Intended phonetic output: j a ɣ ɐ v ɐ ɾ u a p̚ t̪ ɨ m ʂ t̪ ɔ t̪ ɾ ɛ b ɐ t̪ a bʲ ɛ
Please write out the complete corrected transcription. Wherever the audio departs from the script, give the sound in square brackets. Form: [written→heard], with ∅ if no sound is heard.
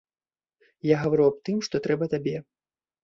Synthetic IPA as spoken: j a ɣ ɐ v [ɐ→a] ɾ u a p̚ t̪ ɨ m ʂ t̪ ɔ t̪ ɾ ɛ b ɐ t̪ a bʲ ɛ